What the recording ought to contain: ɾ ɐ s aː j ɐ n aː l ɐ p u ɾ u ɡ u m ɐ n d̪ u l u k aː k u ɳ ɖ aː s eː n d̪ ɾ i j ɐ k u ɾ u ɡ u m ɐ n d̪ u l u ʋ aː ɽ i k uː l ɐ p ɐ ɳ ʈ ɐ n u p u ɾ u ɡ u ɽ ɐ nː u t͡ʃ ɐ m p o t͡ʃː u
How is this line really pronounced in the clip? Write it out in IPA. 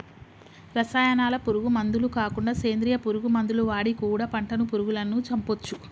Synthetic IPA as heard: ɾ ɐ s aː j ɐ n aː l ɐ p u ɾ u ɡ u m ɐ n d̪ u l u k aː k u ɳ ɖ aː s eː n d̪ ɾ i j ɐ p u ɾ u ɡ u m ɐ n d̪ u l u ʋ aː ɽ i k uː ɽ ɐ p ɐ ɳ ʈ ɐ n u p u ɾ u ɡ u l ɐ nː u t͡ʃ ɐ m p o t͡ʃː u